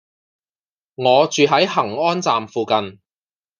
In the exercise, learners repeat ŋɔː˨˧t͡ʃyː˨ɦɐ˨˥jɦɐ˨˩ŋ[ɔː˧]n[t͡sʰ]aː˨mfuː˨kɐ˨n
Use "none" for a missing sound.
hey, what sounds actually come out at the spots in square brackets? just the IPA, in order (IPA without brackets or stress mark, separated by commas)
ɔː˥, t͡s